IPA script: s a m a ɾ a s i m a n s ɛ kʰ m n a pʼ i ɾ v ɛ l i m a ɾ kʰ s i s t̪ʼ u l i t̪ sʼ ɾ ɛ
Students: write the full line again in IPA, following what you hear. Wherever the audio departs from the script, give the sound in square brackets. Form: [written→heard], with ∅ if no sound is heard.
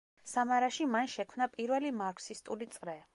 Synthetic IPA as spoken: s a m a ɾ a [s→ʃ] i m a n [s→ʃ] ɛ kʰ m n a pʼ i ɾ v ɛ l i m a ɾ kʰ s i s t̪ʼ u l i t̪ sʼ ɾ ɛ

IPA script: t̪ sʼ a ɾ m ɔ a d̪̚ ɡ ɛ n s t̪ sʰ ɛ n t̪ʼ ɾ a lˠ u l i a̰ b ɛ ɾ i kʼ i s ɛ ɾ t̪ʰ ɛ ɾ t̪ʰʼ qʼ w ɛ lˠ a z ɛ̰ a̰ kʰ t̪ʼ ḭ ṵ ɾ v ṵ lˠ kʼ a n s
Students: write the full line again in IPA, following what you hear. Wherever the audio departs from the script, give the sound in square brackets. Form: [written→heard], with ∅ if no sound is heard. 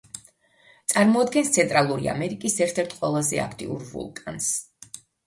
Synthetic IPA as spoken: t̪ sʼ a ɾ m ɔ a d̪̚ ɡ ɛ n s t̪ sʰ ɛ n t̪ʼ ɾ a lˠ u [l→ɾ] i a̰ [b→m] ɛ ɾ i kʼ i s ɛ ɾ t̪ʰ ɛ ɾ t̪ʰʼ qʼ w ɛ lˠ a z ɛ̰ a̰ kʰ t̪ʼ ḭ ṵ ɾ v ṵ lˠ kʼ a n s

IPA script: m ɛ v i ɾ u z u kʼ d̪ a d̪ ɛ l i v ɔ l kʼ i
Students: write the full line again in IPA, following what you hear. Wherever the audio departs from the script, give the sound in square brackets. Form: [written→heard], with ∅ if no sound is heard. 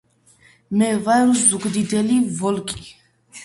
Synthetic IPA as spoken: m ɛ v [i→a] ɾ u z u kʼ d̪ [a→i] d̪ ɛ l i v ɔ l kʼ i

